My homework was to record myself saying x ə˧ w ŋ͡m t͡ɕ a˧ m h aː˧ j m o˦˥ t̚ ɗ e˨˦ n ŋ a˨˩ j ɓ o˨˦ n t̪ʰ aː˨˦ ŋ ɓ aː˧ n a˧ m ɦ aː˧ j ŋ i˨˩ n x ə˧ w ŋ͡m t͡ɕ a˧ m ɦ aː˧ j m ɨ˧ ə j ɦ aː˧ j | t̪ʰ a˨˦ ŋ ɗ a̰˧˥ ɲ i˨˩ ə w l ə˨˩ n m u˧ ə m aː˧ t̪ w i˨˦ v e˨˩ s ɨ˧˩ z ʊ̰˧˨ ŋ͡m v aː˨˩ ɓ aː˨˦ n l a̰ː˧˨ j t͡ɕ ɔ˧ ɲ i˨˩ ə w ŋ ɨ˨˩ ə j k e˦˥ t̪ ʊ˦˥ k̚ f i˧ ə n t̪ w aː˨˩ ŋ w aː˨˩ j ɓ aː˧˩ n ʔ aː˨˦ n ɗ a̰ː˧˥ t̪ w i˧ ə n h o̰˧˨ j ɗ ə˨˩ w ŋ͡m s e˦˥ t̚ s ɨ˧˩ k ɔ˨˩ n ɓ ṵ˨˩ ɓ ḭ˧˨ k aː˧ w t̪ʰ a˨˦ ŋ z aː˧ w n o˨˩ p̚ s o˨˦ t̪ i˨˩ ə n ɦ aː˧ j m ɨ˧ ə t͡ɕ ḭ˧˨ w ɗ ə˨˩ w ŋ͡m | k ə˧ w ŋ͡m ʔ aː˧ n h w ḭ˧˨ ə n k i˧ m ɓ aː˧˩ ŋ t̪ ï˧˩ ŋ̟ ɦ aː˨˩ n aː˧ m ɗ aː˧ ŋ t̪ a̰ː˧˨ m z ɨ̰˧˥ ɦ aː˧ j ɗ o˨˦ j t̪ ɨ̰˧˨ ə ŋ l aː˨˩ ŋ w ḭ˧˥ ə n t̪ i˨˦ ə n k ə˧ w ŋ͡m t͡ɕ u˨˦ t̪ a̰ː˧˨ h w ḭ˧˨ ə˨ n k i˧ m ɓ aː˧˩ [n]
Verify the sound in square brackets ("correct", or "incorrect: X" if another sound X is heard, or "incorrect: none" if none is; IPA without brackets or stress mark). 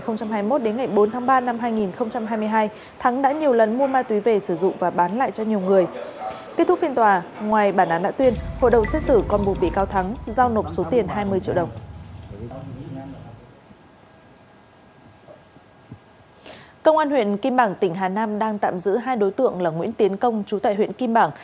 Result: incorrect: ŋ